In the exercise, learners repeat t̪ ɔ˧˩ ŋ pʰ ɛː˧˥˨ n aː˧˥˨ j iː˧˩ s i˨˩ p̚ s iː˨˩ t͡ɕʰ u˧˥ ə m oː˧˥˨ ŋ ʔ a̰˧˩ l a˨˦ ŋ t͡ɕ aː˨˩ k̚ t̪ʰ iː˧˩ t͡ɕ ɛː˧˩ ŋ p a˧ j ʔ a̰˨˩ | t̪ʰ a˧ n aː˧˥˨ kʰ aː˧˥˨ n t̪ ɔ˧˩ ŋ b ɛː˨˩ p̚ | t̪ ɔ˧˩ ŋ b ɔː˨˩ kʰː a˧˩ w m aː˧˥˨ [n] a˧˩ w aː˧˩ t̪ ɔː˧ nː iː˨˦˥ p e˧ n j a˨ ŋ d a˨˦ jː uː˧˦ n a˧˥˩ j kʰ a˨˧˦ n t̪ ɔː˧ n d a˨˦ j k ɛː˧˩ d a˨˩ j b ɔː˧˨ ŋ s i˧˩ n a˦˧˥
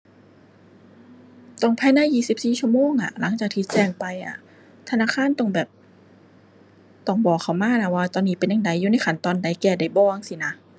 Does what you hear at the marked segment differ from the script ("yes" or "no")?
no